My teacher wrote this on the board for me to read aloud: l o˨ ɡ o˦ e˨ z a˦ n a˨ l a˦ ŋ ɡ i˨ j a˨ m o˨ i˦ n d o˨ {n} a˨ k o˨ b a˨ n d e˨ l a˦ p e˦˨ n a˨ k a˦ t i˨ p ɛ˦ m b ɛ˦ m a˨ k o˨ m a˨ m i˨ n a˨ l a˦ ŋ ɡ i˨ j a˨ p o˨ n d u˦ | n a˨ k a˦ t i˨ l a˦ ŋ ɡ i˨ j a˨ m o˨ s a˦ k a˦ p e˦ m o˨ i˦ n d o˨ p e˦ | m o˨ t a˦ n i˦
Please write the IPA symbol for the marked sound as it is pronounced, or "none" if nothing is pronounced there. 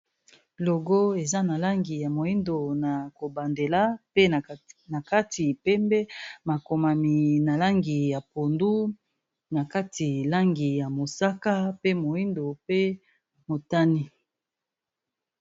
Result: n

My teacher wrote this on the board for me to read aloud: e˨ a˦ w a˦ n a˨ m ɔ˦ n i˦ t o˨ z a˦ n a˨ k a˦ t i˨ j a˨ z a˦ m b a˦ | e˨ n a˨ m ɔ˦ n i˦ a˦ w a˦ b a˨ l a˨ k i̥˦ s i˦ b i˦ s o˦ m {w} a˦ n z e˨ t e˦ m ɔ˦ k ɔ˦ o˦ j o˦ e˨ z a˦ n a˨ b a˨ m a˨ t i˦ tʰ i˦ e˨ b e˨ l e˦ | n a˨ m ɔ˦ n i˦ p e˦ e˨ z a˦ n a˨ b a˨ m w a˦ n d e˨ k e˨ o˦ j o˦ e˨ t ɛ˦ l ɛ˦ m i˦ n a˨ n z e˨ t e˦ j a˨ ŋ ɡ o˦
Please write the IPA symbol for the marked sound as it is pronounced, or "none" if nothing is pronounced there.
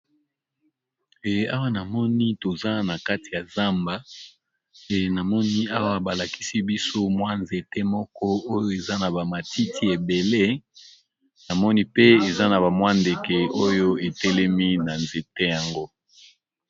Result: w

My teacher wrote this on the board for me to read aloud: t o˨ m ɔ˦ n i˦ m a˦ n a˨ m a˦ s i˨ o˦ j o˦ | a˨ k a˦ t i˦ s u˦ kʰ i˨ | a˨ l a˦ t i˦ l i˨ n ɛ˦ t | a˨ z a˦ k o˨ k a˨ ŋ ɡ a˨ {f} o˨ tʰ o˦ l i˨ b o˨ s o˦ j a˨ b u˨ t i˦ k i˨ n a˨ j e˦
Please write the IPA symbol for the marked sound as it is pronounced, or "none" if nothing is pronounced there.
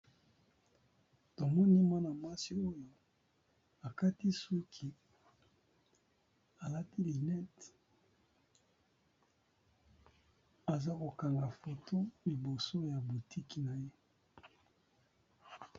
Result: f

